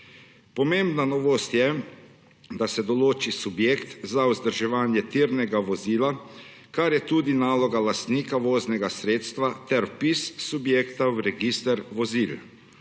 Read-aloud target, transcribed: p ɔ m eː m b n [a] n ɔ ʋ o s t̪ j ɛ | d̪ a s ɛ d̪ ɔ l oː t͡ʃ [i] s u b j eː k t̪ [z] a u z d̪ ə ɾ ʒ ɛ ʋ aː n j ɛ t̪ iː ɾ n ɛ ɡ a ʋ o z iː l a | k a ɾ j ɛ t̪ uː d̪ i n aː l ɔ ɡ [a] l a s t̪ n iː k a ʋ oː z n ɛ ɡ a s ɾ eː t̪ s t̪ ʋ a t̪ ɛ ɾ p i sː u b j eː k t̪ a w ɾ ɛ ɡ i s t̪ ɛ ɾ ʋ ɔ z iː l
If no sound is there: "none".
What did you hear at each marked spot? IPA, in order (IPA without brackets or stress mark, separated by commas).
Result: a, i, z, a